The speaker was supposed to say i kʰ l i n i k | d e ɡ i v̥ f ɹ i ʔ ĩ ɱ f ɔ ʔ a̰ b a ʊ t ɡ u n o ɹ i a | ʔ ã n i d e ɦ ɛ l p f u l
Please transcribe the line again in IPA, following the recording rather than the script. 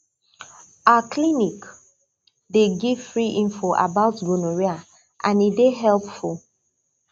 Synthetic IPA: a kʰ l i n i k | d e ɡ i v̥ f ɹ i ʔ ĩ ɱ f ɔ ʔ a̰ b a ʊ t ɡ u n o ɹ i a | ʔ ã n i d e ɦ ɛ l p f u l